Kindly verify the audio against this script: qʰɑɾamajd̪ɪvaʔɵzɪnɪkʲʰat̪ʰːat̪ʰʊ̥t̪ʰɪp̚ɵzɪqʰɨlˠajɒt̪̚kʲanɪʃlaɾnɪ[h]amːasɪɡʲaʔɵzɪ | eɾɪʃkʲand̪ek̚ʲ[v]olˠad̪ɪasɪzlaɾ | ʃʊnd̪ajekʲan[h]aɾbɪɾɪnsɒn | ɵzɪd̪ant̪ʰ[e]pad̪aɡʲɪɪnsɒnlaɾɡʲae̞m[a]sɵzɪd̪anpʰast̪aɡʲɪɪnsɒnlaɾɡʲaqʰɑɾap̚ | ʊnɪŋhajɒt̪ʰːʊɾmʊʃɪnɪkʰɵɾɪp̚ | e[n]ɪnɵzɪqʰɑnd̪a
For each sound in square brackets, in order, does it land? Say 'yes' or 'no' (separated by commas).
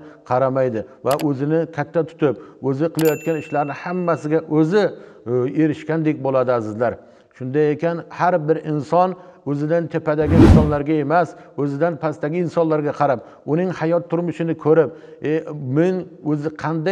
yes, no, yes, yes, yes, no